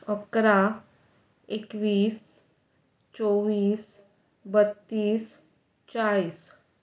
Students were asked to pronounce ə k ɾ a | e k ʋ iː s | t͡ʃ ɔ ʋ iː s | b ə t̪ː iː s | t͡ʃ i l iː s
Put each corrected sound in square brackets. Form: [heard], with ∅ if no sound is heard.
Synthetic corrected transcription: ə k ɾ a | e k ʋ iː s | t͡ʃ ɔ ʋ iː s | b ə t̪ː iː s | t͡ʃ [a] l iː s

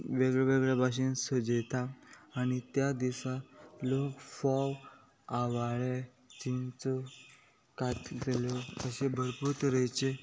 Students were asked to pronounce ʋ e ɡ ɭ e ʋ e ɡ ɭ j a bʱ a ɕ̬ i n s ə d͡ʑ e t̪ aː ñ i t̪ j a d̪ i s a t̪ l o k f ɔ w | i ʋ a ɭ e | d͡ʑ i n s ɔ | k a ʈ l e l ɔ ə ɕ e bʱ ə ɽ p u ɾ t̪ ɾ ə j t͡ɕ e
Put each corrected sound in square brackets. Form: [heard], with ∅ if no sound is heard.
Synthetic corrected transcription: ʋ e ɡ ɭ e ʋ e ɡ ɭ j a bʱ a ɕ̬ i n s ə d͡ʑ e t̪ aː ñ i t̪ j a d̪ i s a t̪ l o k f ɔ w | [a] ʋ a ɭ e | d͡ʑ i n [t͡s] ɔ | k a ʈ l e l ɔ ə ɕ e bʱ ə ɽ p u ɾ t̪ ɾ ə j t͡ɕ e

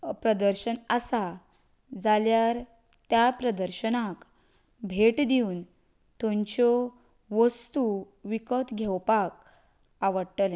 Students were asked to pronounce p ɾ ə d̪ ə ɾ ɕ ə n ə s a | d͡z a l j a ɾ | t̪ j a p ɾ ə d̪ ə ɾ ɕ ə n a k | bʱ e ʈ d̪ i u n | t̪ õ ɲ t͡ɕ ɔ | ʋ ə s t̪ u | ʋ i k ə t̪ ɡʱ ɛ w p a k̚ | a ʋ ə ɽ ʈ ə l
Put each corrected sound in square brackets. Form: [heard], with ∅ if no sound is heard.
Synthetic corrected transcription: p ɾ ə d̪ ə ɾ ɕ ə n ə s a | d͡z a l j a ɾ | t̪ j a p ɾ ə d̪ ə ɾ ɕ ə n a k | bʱ e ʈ d̪ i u n | t̪ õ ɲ t͡ɕ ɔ | ʋ ə s t̪ u | ʋ i k ə t̪ ɡʱ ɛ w p a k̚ | a ʋ ə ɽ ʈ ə l

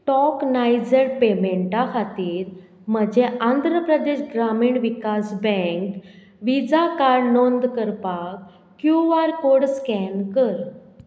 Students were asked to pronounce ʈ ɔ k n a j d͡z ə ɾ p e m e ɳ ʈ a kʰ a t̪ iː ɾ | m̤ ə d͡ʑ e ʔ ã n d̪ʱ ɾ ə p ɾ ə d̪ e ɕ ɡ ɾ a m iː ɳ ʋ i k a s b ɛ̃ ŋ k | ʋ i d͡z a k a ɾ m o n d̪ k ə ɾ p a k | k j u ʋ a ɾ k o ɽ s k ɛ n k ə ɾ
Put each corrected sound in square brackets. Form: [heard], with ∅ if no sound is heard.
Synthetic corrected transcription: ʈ ɔ k n a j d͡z ə ɾ p e m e ɳ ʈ a kʰ a t̪ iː ɾ | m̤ ə d͡ʑ e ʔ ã n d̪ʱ ɾ ə p ɾ ə d̪ e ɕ ɡ ɾ a m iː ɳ ʋ i k a s b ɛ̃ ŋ k | ʋ i d͡z a k a ɾ [n] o n d̪ k ə ɾ p a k | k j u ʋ a ɾ k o ɽ s k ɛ n k ə ɾ

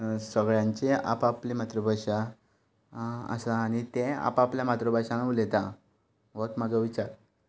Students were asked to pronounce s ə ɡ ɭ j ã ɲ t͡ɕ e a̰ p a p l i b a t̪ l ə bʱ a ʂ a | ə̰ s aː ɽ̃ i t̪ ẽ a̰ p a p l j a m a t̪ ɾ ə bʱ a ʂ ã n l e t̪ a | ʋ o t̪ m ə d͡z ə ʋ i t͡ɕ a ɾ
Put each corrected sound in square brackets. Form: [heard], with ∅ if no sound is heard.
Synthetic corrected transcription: s ə ɡ ɭ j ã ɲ t͡ɕ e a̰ p a p l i [m] a t̪ [ɾ] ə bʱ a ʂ a | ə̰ s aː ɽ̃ i t̪ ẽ a̰ p a p l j a m a t̪ ɾ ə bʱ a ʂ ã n l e t̪ a | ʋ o t̪ m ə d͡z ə ʋ i t͡ɕ a ɾ

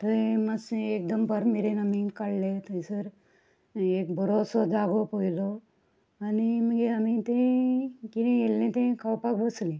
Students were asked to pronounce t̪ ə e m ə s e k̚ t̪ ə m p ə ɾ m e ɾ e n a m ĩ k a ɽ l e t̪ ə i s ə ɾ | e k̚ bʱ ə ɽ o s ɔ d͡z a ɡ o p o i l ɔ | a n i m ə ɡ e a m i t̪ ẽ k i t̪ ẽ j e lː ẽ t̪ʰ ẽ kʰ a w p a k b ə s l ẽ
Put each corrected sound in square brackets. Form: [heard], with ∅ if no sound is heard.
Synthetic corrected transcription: t̪ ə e m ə s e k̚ [d̪] ə m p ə ɾ m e ɾ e n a m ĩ k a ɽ l e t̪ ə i s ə ɾ | e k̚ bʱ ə [ɾ] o s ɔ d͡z a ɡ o p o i l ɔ | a n i m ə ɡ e a m i t̪ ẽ k i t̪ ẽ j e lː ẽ [t̪] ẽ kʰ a w p a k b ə s l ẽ

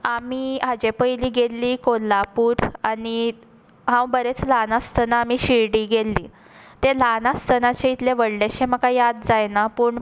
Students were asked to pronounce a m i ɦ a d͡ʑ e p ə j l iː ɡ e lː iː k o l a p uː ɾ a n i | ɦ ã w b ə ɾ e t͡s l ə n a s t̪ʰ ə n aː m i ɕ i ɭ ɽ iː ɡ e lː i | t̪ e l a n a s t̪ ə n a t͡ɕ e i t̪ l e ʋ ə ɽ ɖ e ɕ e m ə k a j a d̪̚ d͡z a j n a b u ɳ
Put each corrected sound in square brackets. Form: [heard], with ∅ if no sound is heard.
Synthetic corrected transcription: a m i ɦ a d͡ʑ e p ə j l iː ɡ e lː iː k o l a p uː ɾ a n i | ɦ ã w b ə ɾ e t͡s l [a] n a s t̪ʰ ə n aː m i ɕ i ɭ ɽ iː ɡ e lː i | t̪ e l a n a s t̪ ə n a t͡ɕ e i t̪ l e ʋ ə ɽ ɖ e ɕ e m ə k a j a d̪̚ d͡z a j n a [p] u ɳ

